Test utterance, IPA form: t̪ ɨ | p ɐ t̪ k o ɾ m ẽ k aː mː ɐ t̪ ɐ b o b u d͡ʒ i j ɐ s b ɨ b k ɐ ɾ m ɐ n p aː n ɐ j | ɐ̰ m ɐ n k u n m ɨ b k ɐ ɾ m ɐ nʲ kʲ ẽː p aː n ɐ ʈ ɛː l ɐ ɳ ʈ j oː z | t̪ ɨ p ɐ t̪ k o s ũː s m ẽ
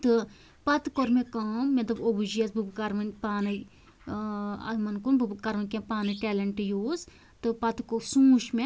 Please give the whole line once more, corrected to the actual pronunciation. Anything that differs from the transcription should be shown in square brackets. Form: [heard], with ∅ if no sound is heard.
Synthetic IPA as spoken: t̪ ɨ | p ɐ t̪ k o ɾ m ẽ k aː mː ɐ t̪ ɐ b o b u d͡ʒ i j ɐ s b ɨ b k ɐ ɾ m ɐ n p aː n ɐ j | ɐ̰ m ɐ n k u n [b] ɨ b k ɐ ɾ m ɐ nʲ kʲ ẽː p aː n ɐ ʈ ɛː l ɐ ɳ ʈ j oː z | t̪ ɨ p ɐ t̪ k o s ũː [ʃ] m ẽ